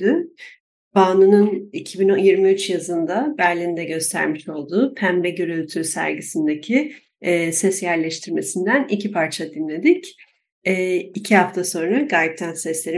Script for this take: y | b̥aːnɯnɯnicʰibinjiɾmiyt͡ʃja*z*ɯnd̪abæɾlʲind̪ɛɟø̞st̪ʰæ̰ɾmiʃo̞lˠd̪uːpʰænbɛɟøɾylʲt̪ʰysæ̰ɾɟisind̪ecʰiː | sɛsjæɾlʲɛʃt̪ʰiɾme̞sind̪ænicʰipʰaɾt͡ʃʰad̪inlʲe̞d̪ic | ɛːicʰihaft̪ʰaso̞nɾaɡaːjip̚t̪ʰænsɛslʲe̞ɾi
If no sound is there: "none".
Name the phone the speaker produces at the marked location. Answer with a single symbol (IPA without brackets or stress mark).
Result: z